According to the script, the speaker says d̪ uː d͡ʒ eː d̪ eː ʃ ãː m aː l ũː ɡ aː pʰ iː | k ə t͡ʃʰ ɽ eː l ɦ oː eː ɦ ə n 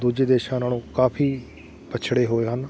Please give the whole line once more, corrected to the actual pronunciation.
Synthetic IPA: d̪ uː d͡ʒ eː d̪ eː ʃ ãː n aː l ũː k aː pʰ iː | p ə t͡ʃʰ ɽ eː ɦ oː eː ɦ ə n